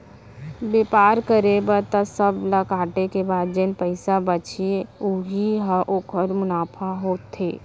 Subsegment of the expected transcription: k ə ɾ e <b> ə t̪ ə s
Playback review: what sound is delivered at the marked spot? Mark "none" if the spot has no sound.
b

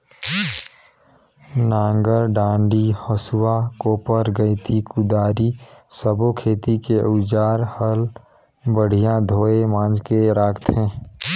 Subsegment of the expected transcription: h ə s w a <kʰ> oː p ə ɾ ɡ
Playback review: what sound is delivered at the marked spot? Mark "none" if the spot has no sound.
k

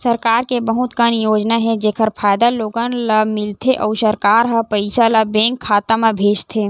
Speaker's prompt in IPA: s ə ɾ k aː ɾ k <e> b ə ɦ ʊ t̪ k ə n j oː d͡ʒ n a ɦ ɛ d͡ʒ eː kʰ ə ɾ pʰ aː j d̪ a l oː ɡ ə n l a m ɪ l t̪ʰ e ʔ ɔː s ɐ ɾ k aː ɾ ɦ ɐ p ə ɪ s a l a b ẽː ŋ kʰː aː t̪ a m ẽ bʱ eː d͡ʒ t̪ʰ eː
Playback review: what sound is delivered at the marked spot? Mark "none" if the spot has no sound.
e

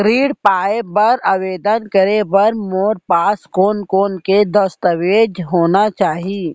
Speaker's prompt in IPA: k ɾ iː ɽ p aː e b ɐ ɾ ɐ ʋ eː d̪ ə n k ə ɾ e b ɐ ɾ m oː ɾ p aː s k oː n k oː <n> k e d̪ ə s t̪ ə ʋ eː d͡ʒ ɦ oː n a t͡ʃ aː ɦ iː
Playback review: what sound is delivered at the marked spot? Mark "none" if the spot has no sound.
n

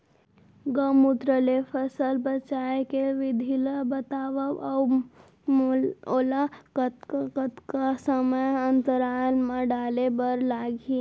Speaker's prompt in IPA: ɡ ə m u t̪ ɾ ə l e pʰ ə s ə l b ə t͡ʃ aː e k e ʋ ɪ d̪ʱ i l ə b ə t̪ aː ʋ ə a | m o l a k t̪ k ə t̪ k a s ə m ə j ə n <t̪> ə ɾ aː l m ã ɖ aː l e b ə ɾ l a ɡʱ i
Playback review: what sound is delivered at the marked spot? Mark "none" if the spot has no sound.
t̪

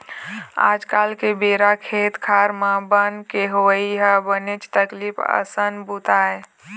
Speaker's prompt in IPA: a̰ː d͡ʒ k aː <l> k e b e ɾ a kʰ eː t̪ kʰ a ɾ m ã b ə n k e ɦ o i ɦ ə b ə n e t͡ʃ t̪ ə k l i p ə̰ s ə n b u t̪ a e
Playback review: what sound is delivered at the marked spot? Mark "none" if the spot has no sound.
l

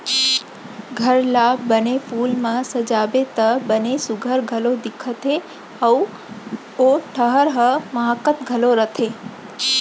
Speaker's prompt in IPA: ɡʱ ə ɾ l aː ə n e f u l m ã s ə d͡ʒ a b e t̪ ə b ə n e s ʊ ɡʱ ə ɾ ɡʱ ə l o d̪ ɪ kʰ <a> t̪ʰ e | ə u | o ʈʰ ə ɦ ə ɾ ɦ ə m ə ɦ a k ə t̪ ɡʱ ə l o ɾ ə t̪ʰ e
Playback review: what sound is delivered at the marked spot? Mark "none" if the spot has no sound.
ə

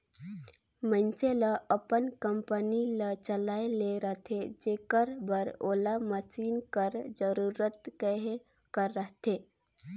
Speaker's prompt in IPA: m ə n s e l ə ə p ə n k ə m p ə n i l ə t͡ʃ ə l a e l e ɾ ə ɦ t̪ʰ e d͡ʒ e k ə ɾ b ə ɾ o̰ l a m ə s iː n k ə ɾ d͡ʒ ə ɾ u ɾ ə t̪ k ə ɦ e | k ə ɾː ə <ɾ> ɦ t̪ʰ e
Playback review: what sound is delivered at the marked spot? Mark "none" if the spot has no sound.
none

